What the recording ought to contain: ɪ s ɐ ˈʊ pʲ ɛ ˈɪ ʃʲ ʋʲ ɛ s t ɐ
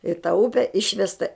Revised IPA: ɪ t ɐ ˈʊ pʲ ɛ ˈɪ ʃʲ ʋʲ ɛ s t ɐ